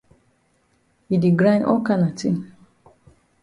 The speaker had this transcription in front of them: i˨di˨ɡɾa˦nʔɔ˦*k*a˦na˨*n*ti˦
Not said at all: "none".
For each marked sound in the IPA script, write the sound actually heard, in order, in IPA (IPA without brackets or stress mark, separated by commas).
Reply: k, none